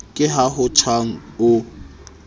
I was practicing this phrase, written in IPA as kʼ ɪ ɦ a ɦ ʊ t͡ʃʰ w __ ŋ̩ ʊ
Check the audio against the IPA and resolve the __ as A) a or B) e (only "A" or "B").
A